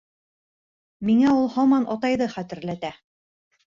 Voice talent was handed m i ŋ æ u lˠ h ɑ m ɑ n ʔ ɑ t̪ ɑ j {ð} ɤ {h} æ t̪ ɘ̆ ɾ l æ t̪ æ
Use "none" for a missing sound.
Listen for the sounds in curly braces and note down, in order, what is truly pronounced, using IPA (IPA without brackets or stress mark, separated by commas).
ð, χ